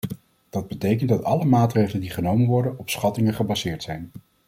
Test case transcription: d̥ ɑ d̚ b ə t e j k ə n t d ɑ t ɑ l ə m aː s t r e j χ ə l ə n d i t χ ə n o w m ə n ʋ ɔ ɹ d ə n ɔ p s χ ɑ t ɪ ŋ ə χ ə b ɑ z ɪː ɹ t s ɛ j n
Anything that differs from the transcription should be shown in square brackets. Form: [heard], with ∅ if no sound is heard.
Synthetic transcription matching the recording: d̥ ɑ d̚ b ə t e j k ə n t d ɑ t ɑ l ə m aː [∅] t r e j χ ə l ə n d i [∅] χ ə n o w m ə n ʋ ɔ ɹ d ə n ɔ p s χ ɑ t ɪ ŋ ə χ ə b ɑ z ɪː ɹ t s ɛ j n